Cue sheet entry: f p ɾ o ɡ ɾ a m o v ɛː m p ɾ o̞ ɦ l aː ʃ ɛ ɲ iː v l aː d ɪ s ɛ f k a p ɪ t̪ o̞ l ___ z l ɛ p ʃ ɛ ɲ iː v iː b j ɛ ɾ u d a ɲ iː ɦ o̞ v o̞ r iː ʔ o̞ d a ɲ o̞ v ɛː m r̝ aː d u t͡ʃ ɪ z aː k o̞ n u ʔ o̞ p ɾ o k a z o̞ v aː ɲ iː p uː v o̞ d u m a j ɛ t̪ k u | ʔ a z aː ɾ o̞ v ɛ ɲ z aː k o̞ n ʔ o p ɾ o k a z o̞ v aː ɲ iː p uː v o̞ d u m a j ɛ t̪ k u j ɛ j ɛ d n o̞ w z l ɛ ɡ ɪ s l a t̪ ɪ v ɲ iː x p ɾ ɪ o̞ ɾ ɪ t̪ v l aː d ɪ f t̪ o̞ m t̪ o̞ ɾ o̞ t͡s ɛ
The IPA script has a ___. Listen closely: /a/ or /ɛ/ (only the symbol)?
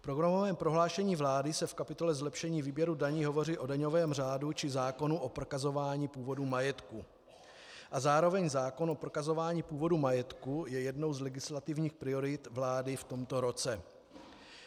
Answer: ɛ